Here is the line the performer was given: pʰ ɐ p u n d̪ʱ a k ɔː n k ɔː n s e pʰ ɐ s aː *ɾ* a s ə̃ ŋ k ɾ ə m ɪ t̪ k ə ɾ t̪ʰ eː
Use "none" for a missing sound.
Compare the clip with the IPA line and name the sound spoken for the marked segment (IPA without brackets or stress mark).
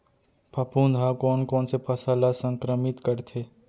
l